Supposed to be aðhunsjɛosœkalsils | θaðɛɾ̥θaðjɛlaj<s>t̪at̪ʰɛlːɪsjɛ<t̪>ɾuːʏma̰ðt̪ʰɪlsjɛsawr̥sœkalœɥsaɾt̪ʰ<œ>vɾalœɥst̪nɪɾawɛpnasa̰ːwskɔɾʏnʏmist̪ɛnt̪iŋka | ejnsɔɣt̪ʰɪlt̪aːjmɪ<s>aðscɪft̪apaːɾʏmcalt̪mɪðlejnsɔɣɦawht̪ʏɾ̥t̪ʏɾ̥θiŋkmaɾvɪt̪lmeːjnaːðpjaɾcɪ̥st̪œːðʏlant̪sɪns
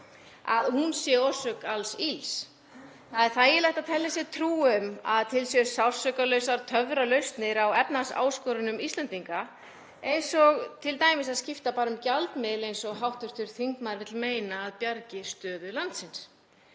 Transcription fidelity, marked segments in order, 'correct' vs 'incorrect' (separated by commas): incorrect, incorrect, correct, correct